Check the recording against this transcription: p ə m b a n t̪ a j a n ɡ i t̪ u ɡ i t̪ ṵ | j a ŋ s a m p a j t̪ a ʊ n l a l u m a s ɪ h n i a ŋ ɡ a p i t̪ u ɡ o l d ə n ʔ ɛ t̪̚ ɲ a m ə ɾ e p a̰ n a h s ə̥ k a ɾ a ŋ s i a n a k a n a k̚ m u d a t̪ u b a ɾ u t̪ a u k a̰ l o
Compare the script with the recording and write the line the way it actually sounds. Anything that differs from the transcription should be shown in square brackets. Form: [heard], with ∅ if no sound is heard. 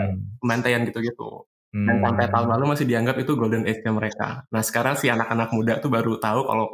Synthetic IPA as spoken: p ə m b a n t̪ a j a n ɡ i t̪ u ɡ i t̪ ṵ | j a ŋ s a m p a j t̪ a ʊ n l a l u m a s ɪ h [d] i a ŋ ɡ a p i t̪ u ɡ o l d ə n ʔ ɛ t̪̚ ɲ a m ə ɾ e [k] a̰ n a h s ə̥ k a ɾ a ŋ s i a n a k a n a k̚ m u d a t̪ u b a ɾ u t̪ a u k a̰ l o